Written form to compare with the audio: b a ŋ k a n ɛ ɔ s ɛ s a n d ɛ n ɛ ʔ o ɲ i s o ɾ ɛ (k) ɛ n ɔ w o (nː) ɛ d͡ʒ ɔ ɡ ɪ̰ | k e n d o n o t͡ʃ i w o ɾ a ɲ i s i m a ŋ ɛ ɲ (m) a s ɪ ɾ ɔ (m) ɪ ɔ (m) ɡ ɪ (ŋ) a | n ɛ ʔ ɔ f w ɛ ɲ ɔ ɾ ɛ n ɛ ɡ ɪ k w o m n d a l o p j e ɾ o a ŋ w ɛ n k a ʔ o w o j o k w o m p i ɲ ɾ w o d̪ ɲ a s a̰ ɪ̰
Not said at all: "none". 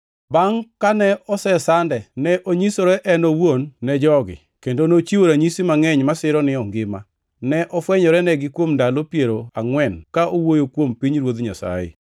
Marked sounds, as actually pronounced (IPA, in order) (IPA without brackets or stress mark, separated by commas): ʔ, nː, m, n, ŋ, m